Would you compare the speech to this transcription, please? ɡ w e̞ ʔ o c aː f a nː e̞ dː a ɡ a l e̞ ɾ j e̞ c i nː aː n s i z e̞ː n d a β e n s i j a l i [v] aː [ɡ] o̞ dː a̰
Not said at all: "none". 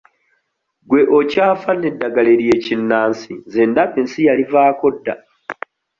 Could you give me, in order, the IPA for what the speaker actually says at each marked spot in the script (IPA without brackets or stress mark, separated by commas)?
v, k